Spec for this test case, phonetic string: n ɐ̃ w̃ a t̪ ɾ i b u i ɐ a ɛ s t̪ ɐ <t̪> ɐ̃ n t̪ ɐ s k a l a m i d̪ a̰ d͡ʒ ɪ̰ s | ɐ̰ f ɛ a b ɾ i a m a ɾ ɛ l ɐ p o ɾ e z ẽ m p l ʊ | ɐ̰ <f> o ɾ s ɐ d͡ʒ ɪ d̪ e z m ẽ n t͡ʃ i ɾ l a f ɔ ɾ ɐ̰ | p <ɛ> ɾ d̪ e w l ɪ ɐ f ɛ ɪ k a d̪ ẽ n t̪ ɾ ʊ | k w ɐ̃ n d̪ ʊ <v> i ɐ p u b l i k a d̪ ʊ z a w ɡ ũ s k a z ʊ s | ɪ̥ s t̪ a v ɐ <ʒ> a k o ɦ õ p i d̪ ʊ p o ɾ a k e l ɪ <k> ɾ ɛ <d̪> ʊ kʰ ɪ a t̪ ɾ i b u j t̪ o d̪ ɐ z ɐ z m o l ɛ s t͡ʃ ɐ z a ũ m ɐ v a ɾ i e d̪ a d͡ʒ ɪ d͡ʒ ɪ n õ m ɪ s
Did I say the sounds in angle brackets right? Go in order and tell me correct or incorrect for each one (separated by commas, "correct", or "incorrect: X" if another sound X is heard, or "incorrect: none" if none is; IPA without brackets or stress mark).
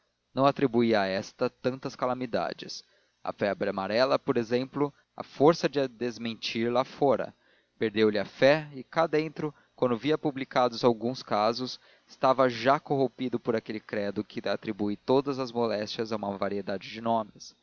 correct, correct, incorrect: e, correct, correct, correct, correct